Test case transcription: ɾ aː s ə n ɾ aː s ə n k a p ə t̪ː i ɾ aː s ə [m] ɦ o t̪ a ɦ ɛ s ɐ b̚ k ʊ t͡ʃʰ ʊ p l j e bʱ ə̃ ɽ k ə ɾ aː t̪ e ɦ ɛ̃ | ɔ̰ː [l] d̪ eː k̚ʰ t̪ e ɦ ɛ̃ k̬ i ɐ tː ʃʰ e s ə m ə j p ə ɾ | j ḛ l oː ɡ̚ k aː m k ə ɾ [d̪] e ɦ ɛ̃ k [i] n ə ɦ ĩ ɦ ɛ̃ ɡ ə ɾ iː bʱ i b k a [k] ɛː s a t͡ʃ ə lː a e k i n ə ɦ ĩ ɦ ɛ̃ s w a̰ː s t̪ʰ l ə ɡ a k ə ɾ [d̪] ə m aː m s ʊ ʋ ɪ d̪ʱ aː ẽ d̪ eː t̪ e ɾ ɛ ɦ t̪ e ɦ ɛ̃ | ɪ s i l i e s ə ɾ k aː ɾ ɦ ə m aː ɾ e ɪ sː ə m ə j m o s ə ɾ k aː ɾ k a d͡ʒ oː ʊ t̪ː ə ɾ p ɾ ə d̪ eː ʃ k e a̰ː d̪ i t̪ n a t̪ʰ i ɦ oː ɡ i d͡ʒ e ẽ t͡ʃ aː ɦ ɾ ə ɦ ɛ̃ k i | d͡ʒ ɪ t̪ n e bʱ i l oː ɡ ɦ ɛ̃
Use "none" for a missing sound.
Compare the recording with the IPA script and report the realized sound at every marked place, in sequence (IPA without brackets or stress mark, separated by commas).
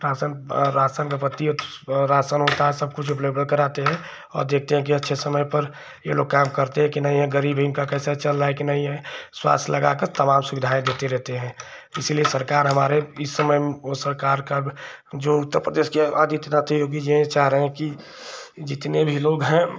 n, ɾ, t̪, i, k, t̪